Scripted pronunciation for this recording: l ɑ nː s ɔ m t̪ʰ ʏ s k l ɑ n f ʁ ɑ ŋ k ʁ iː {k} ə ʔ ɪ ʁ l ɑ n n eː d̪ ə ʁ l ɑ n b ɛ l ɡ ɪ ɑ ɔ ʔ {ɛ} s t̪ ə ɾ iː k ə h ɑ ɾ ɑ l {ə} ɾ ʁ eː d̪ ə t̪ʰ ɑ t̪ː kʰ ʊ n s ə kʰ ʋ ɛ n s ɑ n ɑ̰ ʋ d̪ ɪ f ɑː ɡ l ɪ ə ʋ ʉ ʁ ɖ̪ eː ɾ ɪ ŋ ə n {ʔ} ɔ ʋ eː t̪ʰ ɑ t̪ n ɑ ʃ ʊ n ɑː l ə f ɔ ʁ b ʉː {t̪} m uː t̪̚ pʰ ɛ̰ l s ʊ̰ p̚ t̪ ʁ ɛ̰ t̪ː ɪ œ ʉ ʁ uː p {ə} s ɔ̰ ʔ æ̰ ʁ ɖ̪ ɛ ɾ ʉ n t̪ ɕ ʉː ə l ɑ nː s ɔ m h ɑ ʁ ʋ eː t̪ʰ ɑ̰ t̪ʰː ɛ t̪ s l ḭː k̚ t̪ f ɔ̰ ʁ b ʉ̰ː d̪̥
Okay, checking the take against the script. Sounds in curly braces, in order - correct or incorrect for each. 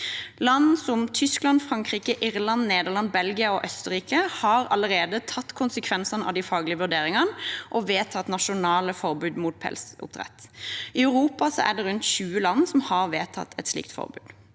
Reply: correct, incorrect, correct, correct, incorrect, incorrect

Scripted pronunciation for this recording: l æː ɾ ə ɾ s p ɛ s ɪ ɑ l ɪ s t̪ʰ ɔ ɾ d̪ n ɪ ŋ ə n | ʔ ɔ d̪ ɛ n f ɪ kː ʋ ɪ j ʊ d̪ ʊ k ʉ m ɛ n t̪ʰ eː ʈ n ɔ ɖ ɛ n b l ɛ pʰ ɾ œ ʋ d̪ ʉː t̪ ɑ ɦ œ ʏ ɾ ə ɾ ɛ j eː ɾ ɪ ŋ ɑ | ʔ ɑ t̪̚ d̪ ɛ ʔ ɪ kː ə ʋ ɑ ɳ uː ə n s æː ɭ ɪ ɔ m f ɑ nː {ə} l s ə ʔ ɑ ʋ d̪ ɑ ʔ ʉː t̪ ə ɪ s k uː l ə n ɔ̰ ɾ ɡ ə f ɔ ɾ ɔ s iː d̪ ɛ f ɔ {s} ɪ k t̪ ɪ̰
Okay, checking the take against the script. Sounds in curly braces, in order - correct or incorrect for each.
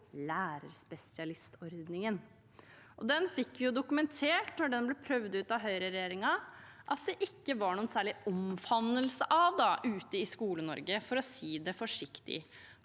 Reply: correct, incorrect

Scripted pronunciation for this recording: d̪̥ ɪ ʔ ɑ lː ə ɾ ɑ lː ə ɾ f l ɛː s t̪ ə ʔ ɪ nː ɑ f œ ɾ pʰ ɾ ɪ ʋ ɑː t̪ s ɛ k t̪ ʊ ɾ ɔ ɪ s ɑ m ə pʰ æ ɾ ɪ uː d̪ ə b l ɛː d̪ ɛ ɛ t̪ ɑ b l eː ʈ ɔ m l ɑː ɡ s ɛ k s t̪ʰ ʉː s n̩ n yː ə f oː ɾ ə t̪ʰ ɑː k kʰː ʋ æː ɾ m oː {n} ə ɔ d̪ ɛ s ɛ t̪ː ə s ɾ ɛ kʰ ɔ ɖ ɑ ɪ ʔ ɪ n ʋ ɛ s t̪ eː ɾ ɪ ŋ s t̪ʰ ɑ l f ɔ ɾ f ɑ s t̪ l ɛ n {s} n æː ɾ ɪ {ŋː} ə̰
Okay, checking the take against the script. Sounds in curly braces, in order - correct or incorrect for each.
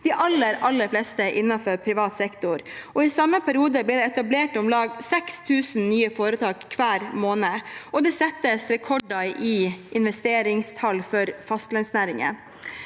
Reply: correct, correct, incorrect

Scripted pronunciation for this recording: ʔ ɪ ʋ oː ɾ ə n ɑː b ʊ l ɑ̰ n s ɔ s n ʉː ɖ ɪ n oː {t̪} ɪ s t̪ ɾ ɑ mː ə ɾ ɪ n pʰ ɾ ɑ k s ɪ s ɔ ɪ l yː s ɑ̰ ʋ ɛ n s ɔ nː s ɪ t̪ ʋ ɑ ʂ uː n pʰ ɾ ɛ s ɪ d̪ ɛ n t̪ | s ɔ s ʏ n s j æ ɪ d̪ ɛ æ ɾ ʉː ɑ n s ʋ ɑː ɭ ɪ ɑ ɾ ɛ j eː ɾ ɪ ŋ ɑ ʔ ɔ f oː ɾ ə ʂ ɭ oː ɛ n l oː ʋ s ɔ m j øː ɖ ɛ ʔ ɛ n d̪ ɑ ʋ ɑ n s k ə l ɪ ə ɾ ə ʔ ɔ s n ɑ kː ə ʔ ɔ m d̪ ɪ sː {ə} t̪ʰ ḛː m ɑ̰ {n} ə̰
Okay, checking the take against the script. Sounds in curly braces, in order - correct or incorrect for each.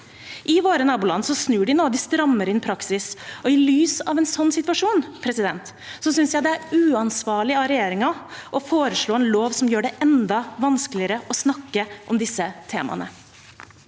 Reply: incorrect, correct, correct

